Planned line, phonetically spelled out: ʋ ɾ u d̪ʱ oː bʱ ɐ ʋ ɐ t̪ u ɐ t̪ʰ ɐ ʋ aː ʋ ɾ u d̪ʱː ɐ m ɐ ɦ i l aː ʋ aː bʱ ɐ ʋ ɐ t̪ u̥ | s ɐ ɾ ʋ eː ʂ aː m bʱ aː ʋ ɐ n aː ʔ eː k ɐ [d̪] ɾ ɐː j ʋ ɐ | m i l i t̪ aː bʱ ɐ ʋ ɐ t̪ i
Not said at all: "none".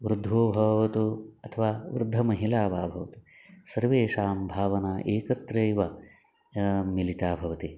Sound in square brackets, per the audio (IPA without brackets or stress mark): t̪